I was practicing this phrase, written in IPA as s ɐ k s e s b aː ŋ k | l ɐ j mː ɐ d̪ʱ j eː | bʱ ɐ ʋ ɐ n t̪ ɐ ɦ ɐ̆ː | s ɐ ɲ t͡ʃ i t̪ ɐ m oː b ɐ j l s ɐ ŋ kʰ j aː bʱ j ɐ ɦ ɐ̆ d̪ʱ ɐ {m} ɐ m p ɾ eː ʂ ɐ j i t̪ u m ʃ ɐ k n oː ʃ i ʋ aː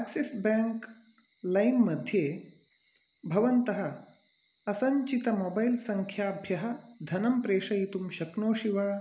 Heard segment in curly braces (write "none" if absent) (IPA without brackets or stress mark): n